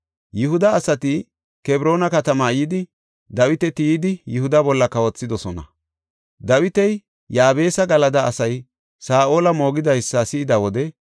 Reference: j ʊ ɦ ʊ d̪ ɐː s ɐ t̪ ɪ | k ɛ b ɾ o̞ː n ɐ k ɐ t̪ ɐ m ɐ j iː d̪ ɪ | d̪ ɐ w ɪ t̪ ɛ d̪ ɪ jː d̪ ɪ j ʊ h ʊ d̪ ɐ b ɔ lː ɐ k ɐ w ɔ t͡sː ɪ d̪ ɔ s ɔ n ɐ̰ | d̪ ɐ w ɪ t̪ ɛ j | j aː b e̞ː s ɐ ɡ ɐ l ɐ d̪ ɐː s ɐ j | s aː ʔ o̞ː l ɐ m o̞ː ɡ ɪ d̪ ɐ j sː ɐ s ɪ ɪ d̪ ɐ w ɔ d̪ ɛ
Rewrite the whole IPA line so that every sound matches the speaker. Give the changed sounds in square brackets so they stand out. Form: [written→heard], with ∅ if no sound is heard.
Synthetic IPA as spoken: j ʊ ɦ ʊ d̪ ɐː s ɐ t̪ ɪ | k ɛ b ɾ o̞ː n ɐ k ɐ t̪ ɐ m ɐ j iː d̪ ɪ | d̪ ɐ w ɪ t̪ ɛ [d̪→t̪] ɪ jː d̪ ɪ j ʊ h ʊ d̪ ɐ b ɔ lː ɐ k ɐ w ɔ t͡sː ɪ d̪ ɔ s ɔ n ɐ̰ | d̪ ɐ w ɪ t̪ ɛ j | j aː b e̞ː s ɐ ɡ ɐ l ɐ d̪ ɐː s ɐ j | s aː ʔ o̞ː l ɐ m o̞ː ɡ ɪ d̪ ɐ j sː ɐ s ɪ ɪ d̪ ɐ w ɔ d̪ ɛ